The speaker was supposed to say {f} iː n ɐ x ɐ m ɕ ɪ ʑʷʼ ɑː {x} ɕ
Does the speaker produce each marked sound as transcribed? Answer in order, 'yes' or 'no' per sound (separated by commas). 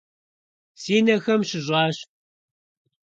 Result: no, no